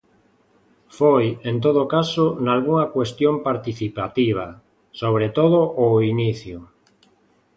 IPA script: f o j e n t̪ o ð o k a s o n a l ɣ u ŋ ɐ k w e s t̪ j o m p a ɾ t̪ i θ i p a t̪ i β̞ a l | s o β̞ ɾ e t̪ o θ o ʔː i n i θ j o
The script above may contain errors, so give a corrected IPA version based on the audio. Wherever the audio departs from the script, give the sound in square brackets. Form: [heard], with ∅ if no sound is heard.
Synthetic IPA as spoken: f o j e n t̪ o ð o k a s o n a l ɣ u ŋ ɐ k w e s t̪ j o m p a ɾ t̪ i θ i p a t̪ i β̞ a [∅] | s o β̞ ɾ e t̪ o [ð] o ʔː i n i θ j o